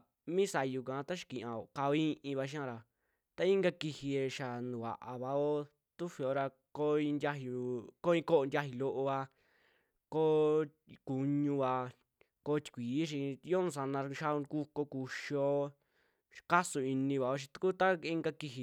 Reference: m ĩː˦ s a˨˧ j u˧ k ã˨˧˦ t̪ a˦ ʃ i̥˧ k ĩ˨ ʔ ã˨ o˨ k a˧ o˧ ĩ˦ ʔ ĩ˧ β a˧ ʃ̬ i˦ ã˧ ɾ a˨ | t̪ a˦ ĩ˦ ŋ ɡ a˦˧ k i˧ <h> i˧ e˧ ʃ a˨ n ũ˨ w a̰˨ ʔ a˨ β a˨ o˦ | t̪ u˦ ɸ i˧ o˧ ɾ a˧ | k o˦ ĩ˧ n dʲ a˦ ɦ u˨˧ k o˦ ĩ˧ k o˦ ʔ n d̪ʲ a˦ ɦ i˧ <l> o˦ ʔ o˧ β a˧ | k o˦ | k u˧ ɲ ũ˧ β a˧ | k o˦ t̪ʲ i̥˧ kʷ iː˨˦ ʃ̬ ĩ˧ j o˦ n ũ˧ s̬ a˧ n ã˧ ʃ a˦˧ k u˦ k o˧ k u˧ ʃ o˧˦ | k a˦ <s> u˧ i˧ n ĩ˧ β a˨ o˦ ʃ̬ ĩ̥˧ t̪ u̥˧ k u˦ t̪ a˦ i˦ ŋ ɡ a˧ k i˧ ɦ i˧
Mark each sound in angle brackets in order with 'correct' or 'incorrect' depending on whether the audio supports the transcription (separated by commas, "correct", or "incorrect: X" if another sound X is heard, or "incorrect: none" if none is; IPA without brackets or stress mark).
correct, correct, correct